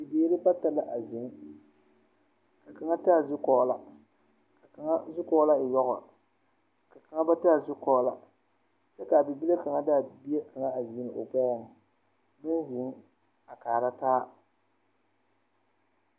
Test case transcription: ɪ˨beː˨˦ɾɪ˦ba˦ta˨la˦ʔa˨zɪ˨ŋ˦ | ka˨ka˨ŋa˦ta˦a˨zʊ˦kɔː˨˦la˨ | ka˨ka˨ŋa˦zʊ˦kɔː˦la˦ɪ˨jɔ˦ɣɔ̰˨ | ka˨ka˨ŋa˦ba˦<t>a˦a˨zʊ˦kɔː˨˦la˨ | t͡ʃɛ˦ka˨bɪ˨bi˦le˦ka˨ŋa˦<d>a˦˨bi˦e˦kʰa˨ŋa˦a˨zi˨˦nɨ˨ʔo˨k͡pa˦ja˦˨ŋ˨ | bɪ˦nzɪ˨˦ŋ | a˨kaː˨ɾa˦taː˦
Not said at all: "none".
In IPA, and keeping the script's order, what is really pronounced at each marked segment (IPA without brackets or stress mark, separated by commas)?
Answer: t, d